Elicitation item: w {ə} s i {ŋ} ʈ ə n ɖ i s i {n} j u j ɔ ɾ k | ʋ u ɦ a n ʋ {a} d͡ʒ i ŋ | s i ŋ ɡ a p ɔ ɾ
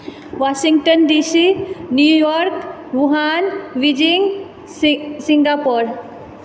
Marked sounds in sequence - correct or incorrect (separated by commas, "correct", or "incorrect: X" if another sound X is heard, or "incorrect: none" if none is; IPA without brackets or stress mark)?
incorrect: a, correct, correct, incorrect: i